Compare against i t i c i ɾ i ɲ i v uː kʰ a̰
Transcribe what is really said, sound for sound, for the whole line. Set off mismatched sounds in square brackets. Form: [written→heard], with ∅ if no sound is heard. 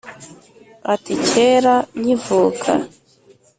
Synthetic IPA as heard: [i→a] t i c [i→e] ɾ [i→a] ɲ i v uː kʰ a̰